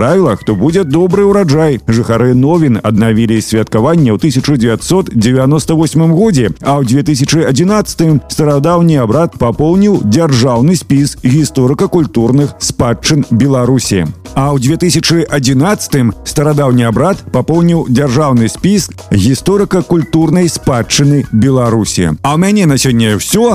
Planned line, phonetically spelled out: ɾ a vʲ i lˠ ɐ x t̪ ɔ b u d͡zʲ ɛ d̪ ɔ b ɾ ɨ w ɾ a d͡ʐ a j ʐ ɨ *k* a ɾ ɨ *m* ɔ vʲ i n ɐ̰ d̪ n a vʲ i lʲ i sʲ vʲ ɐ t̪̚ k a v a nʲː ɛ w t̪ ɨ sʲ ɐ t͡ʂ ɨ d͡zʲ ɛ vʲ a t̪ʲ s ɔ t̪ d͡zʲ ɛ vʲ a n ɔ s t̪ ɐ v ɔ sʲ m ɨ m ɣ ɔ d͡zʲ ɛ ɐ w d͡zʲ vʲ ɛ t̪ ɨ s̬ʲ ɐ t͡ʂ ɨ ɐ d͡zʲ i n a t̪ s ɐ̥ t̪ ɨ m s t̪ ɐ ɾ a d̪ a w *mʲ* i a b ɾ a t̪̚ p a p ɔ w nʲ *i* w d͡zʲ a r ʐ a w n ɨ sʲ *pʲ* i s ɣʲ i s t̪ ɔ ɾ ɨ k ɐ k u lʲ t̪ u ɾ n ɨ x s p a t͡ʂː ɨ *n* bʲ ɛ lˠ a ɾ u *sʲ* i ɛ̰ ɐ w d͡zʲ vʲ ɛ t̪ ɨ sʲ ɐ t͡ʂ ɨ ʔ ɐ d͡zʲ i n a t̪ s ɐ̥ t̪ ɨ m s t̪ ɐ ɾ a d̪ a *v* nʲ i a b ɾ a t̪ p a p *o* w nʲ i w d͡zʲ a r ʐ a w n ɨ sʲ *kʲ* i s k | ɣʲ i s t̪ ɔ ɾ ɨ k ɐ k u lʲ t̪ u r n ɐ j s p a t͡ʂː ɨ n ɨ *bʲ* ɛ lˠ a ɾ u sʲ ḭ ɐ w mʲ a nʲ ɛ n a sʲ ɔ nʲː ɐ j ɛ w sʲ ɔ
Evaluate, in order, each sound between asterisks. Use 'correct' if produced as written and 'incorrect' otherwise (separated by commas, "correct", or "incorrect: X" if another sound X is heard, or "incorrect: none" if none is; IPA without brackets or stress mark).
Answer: incorrect: x, incorrect: n, incorrect: nʲ, correct, correct, correct, correct, incorrect: w, incorrect: ɔ, incorrect: pʲ, correct